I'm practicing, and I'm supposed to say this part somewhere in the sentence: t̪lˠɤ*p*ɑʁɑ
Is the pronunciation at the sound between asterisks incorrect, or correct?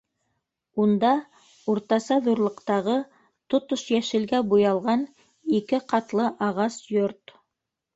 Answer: incorrect